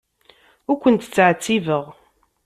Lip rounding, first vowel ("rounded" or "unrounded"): rounded